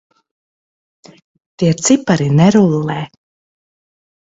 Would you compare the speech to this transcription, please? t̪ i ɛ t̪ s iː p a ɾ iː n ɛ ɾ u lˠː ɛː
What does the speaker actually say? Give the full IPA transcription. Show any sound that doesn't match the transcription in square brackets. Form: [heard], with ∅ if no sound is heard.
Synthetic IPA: t̪ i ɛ t̪ s [i] p a ɾ [i] n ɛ ɾ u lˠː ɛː